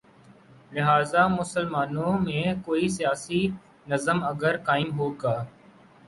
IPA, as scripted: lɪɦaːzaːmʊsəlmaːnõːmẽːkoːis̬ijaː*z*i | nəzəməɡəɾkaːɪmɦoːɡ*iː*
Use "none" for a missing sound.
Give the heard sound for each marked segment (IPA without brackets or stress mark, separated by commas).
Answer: s, aː